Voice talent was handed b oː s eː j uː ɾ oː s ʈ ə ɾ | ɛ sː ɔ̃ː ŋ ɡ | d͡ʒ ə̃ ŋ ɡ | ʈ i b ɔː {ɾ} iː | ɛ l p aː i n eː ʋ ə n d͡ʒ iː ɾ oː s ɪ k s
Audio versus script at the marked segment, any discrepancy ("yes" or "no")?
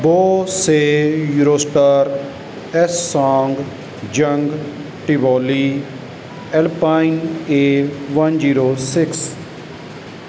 yes